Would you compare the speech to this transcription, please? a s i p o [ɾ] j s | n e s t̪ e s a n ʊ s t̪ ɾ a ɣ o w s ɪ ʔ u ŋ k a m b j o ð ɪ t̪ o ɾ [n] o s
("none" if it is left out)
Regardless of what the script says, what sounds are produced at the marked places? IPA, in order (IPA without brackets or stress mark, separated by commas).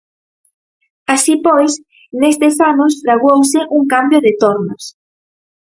none, n